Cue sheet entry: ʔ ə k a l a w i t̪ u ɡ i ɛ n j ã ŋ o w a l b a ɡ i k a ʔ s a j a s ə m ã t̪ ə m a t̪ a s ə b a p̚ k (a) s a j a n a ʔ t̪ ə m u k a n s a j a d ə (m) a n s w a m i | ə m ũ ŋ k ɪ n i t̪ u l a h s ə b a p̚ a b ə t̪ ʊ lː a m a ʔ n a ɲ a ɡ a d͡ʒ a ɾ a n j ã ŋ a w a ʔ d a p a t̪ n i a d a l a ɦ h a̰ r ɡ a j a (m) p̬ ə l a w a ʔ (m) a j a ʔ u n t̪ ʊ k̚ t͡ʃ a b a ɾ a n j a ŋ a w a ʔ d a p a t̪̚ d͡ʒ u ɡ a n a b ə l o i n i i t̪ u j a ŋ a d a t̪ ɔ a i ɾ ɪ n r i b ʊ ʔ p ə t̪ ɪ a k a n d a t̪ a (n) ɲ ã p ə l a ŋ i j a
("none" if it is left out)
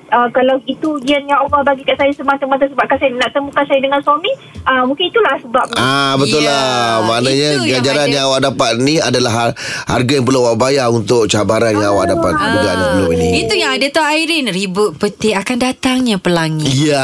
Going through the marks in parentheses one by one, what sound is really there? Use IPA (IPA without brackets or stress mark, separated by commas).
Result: a, ŋ, ŋ, b, ŋ